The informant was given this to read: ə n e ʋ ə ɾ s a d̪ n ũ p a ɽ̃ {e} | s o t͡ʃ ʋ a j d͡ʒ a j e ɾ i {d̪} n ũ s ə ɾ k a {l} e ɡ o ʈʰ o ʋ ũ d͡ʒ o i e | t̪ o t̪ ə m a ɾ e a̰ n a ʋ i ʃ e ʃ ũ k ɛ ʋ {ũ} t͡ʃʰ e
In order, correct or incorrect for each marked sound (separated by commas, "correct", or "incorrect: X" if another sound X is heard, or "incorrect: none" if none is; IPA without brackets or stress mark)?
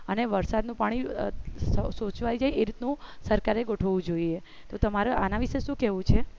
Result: incorrect: i, incorrect: t̪, incorrect: ɾ, correct